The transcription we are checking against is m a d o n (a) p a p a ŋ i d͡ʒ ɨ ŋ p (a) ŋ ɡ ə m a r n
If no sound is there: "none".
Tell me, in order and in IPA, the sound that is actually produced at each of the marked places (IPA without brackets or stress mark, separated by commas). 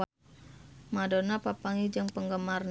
a, ə